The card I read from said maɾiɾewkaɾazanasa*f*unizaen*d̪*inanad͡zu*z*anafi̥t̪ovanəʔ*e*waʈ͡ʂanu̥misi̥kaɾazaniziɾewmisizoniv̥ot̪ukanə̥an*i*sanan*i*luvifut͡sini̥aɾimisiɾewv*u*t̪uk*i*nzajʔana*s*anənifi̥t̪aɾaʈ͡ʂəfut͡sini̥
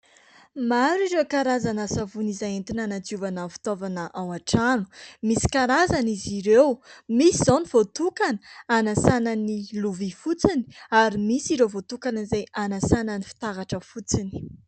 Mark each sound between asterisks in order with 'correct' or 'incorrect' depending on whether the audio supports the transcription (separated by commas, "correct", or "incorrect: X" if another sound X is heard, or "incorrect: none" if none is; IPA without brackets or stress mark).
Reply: incorrect: v, incorrect: t̪, incorrect: v, incorrect: a, incorrect: a, correct, incorrect: o, incorrect: a, correct